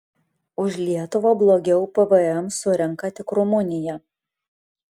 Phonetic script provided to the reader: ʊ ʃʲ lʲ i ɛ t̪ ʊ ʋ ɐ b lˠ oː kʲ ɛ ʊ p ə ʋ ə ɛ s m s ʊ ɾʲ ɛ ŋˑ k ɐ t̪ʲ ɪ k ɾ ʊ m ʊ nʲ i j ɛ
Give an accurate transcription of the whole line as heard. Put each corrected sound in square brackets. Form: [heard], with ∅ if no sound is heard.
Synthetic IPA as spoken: ʊ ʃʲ lʲ i ɛ t̪ ʊ ʋ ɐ b lˠ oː [ɡʲ] ɛ ʊ p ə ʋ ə ɛ [∅] m s ʊ ɾʲ ɛ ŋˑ k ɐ t̪ʲ ɪ k ɾ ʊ m ʊ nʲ [ɪ] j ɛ